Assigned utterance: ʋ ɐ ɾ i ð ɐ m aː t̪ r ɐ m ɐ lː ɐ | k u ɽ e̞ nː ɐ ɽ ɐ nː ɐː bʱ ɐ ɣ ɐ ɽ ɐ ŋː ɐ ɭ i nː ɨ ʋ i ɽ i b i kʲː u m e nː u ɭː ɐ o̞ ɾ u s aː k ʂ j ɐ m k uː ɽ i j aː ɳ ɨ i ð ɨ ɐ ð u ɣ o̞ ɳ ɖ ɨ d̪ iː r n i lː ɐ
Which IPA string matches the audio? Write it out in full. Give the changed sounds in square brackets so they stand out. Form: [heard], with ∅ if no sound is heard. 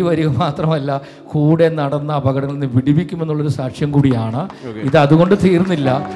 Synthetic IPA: ʋ ɐ ɾ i [ɣ] ɐ m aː t̪ r ɐ m ɐ lː ɐ | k [uː] ɽ e̞ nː ɐ ɽ ɐ nː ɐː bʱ ɐ ɣ ɐ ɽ ɐ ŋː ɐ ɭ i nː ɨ ʋ i ɽ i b i kʲː u m e nː u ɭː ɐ o̞ ɾ u s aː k ʂ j ɐ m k uː ɽ i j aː ɳ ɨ i ð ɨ ɐ ð u ɣ o̞ ɳ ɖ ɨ [t̪] iː r [nː] i lː ɐ